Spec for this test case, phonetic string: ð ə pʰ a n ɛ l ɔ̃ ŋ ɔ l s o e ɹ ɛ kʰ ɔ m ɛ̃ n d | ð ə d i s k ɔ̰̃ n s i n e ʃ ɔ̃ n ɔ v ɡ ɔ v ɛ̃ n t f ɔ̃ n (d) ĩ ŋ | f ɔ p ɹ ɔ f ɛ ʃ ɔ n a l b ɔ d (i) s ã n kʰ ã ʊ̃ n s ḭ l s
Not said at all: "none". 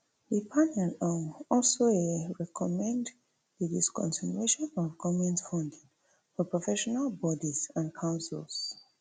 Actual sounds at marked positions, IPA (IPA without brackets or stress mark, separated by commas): d, i